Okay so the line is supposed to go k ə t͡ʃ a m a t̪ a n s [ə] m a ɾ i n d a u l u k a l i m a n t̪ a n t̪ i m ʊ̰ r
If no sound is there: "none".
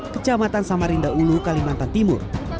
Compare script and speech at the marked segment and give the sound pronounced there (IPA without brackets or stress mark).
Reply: a